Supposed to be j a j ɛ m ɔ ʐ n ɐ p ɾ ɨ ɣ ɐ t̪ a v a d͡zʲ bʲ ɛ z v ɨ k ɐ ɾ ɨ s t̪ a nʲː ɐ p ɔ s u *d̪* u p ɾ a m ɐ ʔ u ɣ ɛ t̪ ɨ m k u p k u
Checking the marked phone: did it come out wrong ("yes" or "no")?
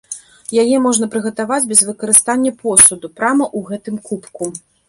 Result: no